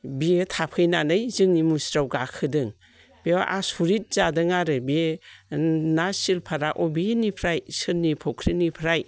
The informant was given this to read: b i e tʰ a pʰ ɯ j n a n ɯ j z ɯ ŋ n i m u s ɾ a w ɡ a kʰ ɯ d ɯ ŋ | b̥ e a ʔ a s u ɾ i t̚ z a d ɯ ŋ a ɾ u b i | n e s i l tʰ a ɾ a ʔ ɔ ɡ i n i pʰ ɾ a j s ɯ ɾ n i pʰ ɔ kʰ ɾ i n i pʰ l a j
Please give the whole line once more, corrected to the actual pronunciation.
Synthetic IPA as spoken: b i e tʰ a pʰ ɯ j n a n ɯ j z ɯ ŋ n i m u s ɾ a w ɡ a kʰ ɯ d ɯ ŋ | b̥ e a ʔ a s u ɾ i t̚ z a d ɯ ŋ a ɾ ɯ b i | n a s i l pʰ a ɾ a ʔ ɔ b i n i pʰ ɾ a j s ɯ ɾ n i pʰ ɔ kʰ ɾ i n i pʰ ɾ a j